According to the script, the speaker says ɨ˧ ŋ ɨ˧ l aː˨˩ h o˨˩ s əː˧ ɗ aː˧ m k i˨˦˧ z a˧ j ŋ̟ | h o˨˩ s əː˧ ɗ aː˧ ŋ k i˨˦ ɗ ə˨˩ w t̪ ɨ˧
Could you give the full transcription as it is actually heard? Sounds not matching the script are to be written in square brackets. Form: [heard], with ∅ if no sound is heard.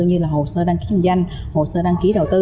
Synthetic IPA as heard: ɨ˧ [ɲ] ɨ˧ l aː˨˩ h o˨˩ s əː˧ ɗ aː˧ [ŋ] k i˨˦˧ z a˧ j ŋ̟ | h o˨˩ s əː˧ ɗ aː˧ ŋ k i˨˦ ɗ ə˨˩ w t̪ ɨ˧